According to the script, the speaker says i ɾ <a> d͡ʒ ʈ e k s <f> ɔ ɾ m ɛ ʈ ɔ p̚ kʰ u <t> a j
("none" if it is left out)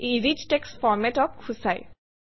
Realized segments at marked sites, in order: i, f, s

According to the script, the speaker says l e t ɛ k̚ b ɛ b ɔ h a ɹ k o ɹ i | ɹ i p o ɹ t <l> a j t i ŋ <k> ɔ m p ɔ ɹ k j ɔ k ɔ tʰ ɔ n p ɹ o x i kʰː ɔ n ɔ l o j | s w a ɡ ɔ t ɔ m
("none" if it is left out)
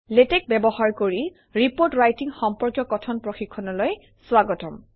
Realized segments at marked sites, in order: ɹ, x

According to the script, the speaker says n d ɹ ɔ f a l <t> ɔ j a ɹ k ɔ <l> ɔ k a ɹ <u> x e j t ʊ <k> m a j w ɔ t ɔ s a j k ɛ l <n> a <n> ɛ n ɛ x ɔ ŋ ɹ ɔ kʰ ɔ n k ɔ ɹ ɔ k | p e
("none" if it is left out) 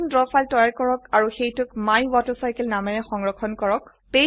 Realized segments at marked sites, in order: t, ɹ, u, k, n, m

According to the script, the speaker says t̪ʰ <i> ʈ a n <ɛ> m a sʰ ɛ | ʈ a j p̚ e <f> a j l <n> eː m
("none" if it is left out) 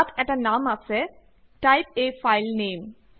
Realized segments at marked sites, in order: ɛ, a, f, n

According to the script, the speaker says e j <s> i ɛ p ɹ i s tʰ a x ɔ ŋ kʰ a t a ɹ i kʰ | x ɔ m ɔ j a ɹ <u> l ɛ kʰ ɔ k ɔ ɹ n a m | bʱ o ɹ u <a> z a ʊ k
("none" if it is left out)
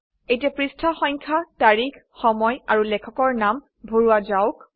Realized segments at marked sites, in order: t, u, a

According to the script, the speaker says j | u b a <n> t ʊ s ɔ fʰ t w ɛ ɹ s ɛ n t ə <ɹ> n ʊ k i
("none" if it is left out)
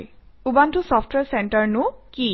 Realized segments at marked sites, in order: n, ɹ

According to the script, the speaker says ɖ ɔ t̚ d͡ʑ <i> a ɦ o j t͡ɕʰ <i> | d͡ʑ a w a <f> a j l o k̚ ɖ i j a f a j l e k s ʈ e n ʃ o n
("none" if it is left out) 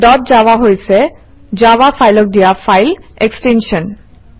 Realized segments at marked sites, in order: a, e, f

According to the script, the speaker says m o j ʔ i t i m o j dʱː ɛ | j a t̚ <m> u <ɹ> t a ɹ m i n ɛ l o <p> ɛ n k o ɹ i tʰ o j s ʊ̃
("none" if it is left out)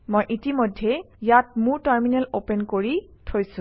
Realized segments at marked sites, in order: m, ɹ, p

